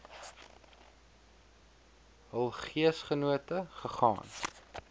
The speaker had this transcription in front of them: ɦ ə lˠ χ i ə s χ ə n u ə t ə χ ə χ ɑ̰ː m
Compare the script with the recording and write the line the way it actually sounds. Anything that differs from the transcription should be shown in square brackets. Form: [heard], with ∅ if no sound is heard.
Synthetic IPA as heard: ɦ ə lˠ χ i ə s χ ə n u ə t ə χ ə χ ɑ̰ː [n]